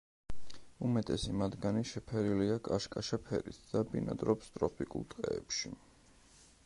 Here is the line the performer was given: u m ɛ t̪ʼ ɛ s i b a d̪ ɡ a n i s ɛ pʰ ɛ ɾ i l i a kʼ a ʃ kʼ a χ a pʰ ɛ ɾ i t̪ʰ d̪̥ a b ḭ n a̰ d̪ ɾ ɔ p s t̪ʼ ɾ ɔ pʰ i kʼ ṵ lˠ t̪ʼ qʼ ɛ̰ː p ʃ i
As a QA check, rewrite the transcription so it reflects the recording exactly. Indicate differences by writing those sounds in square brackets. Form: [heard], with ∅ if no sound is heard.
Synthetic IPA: u m ɛ t̪ʼ ɛ s i [m] a d̪ ɡ a n i [ʃ] ɛ pʰ ɛ ɾ i l i a kʼ a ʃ kʼ a [ʃ] a pʰ ɛ ɾ i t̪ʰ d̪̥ a b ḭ n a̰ d̪ ɾ ɔ p s t̪ʼ ɾ ɔ pʰ i kʼ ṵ lˠ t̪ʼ qʼ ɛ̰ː p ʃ i